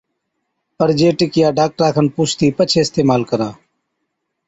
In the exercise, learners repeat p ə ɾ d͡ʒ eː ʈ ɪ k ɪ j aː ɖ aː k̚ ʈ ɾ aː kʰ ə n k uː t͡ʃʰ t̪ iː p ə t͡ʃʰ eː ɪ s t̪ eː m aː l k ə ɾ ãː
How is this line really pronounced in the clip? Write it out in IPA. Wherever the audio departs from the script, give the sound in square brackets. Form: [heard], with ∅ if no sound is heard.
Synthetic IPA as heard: p ə ɾ d͡ʒ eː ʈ ɪ k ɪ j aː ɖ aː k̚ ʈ ɾ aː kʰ ə n [p] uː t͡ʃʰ t̪ iː p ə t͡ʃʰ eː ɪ s t̪ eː m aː l k ə ɾ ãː